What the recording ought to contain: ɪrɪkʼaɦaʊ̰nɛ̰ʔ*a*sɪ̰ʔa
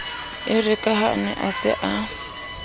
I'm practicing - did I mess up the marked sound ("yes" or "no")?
no